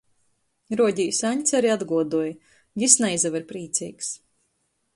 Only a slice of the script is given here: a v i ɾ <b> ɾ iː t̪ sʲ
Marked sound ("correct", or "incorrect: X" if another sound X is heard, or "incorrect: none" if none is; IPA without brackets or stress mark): incorrect: p